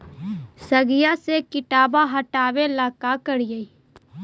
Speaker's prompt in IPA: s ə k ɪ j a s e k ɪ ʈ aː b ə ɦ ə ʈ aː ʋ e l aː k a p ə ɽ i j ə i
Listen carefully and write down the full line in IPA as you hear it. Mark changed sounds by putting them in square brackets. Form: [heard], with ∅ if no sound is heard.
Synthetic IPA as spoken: s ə [ɡ] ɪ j a s e k ɪ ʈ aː b [a] ɦ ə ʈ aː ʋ e l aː k a [k] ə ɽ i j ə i